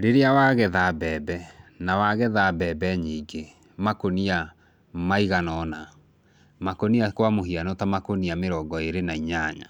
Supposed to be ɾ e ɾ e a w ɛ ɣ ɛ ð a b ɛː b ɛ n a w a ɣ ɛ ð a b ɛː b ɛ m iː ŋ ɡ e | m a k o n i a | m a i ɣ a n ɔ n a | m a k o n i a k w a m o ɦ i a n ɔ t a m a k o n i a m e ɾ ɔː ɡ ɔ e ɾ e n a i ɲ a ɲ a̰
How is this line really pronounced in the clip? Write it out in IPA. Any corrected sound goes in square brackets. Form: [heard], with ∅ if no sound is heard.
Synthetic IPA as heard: ɾ e ɾ e a w [a] ɣ ɛ ð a b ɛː b ɛ n a w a ɣ ɛ ð a b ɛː b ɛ [ɲ] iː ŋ ɡ e | m a k o n i a | m a i ɣ a n ɔ n a | m a k o n i a k w a m o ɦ i a n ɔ t a m a k o n i a m e ɾ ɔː ɡ ɔ e ɾ e n a i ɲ a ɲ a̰

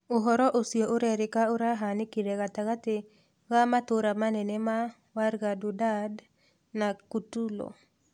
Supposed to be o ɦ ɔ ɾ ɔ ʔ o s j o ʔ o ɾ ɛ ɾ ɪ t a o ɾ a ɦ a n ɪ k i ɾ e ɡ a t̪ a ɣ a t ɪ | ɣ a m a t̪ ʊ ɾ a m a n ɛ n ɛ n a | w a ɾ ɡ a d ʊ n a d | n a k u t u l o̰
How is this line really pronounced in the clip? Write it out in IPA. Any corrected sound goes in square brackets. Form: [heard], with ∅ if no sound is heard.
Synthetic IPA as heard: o ɦ ɔ ɾ ɔ ʔ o s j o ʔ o ɾ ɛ ɾ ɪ [k] a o ɾ a ɦ a n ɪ k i ɾ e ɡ a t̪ a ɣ a t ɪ | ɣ a m a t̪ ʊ ɾ a m a n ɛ n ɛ [m] a | w a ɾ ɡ a d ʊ [d] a d | n a k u t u l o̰

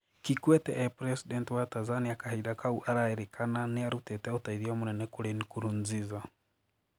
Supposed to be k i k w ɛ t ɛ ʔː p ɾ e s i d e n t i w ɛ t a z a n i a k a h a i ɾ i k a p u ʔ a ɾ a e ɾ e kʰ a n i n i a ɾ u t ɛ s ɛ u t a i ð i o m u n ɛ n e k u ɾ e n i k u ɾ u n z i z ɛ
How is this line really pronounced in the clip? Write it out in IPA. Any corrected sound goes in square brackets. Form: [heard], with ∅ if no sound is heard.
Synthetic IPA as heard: k i k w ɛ t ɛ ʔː p ɾ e s i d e n t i w [a] t a z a n i a k a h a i ɾ [a] k a [∅] u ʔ a ɾ a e ɾ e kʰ a n [a] n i a ɾ u t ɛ [t] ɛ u t a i ð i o m u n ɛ n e k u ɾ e n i k u ɾ u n z i z [a]

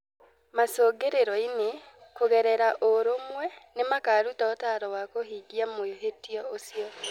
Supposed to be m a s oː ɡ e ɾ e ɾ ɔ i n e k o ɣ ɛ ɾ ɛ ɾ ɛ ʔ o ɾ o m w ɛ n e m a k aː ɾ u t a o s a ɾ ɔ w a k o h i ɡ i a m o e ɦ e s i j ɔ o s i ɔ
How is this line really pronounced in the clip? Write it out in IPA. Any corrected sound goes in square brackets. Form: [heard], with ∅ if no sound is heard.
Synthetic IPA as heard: m a s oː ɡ e ɾ e ɾ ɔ i n e k o ɣ ɛ ɾ ɛ ɾ [a] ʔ o ɾ o m w ɛ n e m a k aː ɾ u t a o [t] a ɾ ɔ w a k o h i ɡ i a m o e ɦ e [t] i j ɔ o s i ɔ

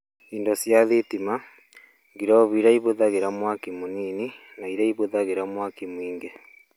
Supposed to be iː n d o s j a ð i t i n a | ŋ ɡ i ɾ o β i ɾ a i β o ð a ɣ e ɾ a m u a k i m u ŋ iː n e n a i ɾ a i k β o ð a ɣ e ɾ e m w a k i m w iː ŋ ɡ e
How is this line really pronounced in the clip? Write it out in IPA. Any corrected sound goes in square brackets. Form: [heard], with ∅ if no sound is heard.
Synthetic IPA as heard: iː n d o s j a ð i t i [m] a | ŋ ɡ i ɾ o β i ɾ a i β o ð a ɣ e ɾ a m [w] a k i m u [n] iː n [i] n a i ɾ a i [∅] β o ð a ɣ e ɾ [a] m w a k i m w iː ŋ ɡ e

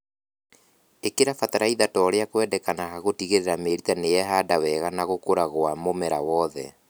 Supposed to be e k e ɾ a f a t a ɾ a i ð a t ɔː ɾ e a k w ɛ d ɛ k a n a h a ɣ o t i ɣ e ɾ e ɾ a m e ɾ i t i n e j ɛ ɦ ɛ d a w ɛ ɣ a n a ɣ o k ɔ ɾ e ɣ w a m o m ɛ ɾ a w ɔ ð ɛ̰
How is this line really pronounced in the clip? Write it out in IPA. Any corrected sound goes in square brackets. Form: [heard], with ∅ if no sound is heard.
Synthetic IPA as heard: e k e ɾ a f a t a ɾ a i ð a t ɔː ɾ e a k w ɛ d ɛ k a n a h a ɣ o t i ɣ e ɾ e ɾ a m e ɾ i t [a] n e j ɛ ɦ [a] d a w ɛ ɣ a n a ɣ o k [o] ɾ [a] ɣ w a m o m ɛ ɾ a w ɔ ð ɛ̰

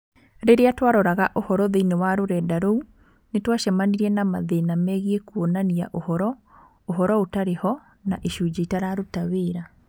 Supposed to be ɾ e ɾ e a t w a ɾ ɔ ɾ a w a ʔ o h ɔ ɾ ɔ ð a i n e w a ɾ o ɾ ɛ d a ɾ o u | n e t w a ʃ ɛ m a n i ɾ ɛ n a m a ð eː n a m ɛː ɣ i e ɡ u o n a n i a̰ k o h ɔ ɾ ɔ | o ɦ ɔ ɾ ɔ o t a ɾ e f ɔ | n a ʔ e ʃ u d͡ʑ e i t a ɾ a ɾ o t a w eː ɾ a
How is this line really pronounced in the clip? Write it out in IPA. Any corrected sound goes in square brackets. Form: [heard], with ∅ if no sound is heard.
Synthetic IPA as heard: ɾ e ɾ e a t w a ɾ ɔ ɾ a [ɣ] a ʔ o h ɔ ɾ ɔ ð [e] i n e w a ɾ o ɾ ɛ d a ɾ o u | n e t w a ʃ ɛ m a n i ɾ ɛ n a m a ð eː n a m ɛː ɣ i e [k] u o n a n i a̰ [ʔ] o h ɔ ɾ ɔ | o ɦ ɔ ɾ ɔ o t a ɾ e [h] ɔ | n a ʔ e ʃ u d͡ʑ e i t a ɾ a ɾ o t a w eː ɾ a

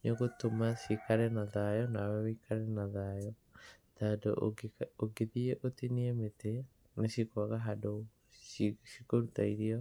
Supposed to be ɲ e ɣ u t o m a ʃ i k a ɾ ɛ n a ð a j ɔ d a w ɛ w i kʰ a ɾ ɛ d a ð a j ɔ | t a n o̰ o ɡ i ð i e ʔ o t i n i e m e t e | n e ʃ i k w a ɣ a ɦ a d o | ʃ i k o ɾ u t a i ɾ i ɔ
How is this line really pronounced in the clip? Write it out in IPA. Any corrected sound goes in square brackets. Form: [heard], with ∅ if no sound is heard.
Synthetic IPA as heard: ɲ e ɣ [o] t o m a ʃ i k a ɾ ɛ n a ð a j ɔ [n] a w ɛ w i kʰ a ɾ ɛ [n] a ð a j ɔ | t a [d] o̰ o ɡ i ð i e ʔ o t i n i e m e t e | n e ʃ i k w a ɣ a ɦ a d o | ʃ i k o ɾ u t a i ɾ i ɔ

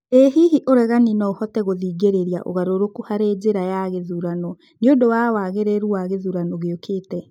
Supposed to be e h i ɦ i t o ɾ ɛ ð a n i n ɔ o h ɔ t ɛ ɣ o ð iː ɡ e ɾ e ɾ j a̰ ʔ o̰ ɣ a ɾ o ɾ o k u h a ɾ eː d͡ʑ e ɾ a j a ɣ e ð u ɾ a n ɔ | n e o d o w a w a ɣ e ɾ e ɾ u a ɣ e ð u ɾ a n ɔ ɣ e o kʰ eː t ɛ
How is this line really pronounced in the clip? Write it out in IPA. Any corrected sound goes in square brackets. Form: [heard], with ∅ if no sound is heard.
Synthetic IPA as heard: e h i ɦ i [ʔ] o ɾ ɛ [ɣ] a n i n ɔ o h ɔ t ɛ ɣ o ð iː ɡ e ɾ e ɾ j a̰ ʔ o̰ ɣ a ɾ o ɾ o k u h a ɾ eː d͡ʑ e ɾ a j a ɣ e ð u ɾ a n ɔ | n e o d o w a w a ɣ e ɾ e ɾ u a ɣ e ð u ɾ a n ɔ ɣ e o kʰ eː t ɛ

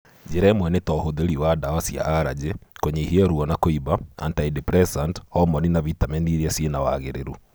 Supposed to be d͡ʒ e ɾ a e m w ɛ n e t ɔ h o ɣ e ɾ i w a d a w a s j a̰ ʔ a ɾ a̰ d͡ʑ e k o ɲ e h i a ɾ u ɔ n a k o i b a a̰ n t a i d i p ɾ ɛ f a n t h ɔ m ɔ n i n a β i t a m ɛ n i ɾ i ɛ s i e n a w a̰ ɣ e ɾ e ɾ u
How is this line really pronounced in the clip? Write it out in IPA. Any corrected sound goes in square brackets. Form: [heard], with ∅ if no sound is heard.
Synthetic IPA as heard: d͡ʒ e ɾ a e m w ɛ n e t ɔ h o [ð] e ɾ i w a d a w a s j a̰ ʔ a ɾ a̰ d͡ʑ e k o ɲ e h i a ɾ u ɔ n a k o i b a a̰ n t a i d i p ɾ ɛ [s] a n t h ɔ m ɔ n i n a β i t a m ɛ n i ɾ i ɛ s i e n a w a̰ ɣ e ɾ e ɾ u

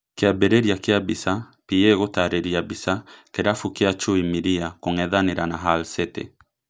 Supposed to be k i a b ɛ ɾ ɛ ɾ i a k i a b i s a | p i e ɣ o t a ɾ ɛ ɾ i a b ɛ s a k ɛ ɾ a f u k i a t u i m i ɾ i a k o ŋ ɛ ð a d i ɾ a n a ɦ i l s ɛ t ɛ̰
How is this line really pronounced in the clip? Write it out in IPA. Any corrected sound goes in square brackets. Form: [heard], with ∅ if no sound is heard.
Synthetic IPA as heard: k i a b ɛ ɾ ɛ ɾ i a k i a b i s a | p i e ɣ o t a ɾ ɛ ɾ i a b [i] s a k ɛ ɾ a f u k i a [t͡ʃ] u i m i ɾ i a k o ŋ ɛ ð a [n] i ɾ a n a ɦ [a] l s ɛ t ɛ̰

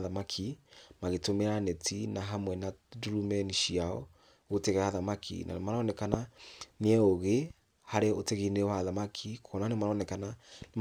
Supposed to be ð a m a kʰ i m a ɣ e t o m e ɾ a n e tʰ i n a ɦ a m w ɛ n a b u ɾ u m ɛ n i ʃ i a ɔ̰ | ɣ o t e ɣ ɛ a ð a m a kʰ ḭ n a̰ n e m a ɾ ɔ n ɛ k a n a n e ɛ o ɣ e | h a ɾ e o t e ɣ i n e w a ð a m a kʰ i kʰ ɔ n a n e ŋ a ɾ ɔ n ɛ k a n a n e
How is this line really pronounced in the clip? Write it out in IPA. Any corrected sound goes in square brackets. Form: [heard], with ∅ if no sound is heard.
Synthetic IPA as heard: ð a m a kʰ i m a ɣ e t o m e ɾ a n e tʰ i n a ɦ a m w ɛ n a [d] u ɾ u m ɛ n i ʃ i a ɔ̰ | ɣ o t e ɣ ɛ a ð a m a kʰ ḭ n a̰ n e m a ɾ ɔ n ɛ k a n a n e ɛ o ɣ e | h a ɾ e o t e ɣ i n e w a ð a m a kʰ i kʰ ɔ n a n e [m] a ɾ ɔ n ɛ k a n a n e

